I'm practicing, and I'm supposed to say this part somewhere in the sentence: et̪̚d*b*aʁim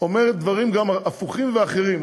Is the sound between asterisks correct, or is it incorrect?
incorrect